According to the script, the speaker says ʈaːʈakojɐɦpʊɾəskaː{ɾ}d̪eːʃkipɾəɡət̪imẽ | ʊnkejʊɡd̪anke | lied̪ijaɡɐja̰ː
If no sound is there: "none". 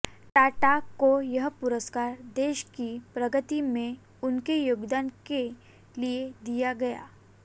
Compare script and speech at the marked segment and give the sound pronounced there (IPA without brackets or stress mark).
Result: ɾ